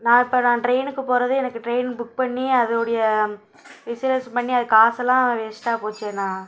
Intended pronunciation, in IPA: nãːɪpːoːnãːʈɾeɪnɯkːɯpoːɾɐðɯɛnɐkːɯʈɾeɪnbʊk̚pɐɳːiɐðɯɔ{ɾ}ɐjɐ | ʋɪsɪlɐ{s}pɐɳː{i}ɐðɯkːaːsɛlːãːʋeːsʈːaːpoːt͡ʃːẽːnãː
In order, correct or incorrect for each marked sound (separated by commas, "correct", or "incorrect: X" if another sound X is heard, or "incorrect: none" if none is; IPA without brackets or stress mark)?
incorrect: ɽ, correct, correct